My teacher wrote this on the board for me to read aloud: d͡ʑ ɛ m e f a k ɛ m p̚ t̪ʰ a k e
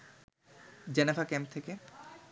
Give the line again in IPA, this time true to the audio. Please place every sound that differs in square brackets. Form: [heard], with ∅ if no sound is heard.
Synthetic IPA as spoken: d͡ʑ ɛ [n] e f a k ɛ m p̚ t̪ʰ [e] k e